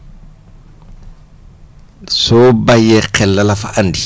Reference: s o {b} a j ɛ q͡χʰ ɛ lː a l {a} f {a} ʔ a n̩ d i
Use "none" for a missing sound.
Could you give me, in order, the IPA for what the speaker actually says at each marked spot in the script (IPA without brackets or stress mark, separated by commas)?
b, a, a